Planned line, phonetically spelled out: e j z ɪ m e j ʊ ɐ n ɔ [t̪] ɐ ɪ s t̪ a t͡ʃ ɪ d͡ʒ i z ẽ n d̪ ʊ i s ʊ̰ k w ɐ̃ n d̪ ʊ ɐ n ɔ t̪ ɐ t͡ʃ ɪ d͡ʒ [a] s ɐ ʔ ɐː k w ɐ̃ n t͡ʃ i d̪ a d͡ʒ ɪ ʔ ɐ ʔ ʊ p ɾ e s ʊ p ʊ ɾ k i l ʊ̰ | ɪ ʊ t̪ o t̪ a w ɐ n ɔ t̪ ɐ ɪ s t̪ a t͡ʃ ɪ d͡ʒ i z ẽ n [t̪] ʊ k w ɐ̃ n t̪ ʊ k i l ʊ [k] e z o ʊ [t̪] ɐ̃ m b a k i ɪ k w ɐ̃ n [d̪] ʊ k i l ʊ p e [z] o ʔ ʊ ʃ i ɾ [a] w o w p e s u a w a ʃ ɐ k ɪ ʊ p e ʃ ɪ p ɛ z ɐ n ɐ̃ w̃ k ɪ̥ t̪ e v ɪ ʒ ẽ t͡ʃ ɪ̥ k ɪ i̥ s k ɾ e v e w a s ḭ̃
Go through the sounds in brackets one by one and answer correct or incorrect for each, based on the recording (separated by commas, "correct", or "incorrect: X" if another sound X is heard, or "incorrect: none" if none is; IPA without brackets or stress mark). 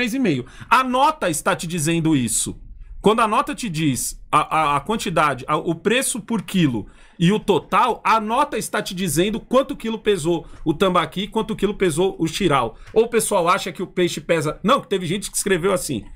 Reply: correct, incorrect: i, incorrect: d̪, incorrect: p, correct, incorrect: t̪, correct, correct